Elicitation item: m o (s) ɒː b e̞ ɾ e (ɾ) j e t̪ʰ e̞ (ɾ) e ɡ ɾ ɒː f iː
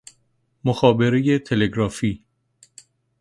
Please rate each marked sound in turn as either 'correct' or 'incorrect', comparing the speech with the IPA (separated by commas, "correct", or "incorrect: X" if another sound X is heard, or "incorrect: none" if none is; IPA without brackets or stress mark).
incorrect: x, incorrect: none, incorrect: l